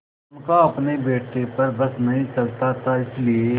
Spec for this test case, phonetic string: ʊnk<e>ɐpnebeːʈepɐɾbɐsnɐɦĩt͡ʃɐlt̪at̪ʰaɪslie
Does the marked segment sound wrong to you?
yes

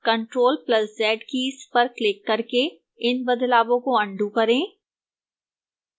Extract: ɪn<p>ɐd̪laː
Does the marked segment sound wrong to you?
yes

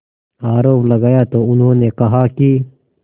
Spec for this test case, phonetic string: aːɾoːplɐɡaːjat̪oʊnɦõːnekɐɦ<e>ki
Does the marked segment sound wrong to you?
yes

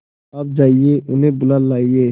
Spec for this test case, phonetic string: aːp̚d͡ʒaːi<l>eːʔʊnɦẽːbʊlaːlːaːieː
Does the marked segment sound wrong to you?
yes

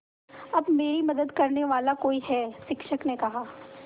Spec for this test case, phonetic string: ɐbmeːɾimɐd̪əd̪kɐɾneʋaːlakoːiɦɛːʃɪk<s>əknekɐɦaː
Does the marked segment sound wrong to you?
yes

